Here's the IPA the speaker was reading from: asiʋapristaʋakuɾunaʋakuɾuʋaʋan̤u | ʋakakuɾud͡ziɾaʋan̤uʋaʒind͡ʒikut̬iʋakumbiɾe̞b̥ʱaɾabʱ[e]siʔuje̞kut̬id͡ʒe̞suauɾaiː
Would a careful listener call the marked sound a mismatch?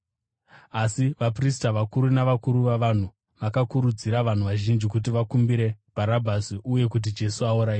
yes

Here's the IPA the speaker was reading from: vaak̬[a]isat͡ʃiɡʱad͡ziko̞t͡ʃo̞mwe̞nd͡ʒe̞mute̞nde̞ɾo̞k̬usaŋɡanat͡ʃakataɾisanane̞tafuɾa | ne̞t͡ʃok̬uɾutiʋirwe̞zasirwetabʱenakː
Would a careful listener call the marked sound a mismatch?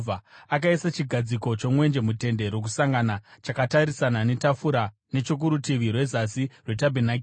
no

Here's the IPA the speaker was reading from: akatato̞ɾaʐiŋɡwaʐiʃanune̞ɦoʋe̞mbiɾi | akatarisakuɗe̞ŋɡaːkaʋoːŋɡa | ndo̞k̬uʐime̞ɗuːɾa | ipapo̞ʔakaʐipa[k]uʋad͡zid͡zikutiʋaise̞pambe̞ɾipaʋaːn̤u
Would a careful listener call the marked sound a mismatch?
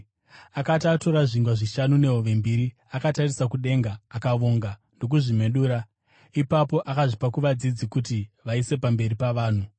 no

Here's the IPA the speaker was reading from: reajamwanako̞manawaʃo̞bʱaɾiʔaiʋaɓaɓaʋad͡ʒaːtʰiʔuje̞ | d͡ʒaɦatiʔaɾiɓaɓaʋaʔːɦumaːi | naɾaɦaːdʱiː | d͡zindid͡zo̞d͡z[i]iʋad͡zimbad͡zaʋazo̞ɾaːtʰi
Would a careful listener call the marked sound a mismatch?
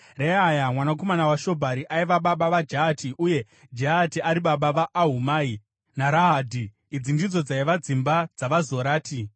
yes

